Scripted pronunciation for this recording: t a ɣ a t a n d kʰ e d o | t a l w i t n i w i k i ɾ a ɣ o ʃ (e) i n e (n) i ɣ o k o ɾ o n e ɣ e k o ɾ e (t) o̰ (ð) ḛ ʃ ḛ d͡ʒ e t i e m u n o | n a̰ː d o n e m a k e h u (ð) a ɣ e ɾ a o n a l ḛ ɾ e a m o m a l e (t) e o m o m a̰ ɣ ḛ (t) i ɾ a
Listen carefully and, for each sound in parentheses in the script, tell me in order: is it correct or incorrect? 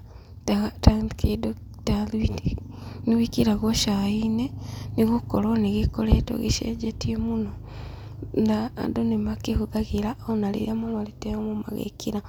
incorrect, correct, correct, incorrect, correct, correct, incorrect

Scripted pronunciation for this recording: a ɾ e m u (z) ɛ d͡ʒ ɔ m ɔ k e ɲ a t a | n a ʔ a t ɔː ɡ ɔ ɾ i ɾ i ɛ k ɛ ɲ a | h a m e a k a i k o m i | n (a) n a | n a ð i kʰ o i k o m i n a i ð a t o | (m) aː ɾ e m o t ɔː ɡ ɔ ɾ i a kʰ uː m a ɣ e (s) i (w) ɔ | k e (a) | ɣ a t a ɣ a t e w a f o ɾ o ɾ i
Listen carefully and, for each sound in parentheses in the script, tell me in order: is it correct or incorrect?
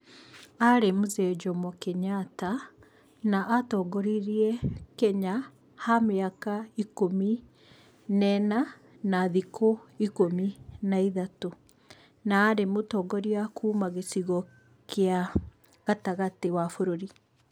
correct, incorrect, incorrect, correct, incorrect, correct

